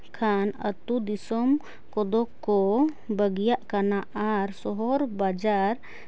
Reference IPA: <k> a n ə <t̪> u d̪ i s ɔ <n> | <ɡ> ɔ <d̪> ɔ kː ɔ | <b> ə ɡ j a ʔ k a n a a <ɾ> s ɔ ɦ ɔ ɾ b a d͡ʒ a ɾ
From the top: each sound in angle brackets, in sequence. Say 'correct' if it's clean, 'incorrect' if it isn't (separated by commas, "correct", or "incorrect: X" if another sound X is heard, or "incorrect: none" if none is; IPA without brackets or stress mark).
incorrect: kʰ, correct, incorrect: m, incorrect: k, correct, correct, correct